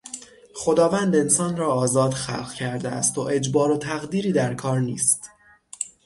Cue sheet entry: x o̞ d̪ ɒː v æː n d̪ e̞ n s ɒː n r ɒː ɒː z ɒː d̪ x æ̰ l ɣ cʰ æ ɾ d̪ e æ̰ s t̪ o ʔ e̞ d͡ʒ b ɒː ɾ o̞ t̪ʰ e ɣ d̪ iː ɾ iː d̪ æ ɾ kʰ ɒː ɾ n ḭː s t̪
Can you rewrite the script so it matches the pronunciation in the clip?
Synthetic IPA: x o̞ d̪ ɒː v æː n d̪ e̞ n s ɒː n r ɒː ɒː z ɒː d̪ x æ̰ l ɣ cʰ æ ɾ d̪ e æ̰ s t̪ o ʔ e̞ d͡ʒ b ɒː ɾ o̞ t̪ʰ æ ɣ d̪ iː ɾ iː d̪ æ ɾ kʰ ɒː ɾ n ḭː s t̪